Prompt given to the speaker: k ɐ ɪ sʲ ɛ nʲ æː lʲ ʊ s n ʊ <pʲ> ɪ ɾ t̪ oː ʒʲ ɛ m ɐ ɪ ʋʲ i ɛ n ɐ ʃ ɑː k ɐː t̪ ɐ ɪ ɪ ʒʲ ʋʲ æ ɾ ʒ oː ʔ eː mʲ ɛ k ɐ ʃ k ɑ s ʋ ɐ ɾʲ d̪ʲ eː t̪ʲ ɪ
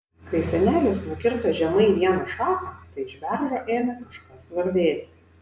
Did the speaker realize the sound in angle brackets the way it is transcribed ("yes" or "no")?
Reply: no